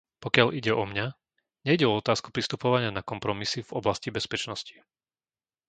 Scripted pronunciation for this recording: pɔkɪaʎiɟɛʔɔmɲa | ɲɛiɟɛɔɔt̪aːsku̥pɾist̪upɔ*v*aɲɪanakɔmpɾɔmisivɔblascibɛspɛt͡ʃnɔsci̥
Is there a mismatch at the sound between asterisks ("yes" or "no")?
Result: yes